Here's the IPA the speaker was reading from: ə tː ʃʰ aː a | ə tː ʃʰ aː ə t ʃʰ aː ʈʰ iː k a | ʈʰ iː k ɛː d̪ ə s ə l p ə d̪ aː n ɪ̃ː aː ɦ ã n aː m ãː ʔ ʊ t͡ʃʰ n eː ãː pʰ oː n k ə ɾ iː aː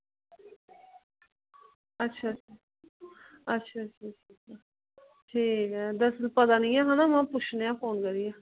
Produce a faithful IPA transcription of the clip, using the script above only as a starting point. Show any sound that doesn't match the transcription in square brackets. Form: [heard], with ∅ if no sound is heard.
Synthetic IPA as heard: ə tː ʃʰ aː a | ə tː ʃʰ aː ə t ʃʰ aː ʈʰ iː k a | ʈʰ iː k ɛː d̪ ə s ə l p ə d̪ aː n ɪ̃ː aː ɦ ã n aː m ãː [p] ʊ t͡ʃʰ n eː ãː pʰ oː n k ə ɾ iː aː